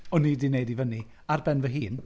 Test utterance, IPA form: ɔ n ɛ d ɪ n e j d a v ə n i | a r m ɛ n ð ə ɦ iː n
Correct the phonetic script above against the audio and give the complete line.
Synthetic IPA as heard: ɔ n i d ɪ n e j d i v ə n i | a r b ɛ n v ə ɦ iː n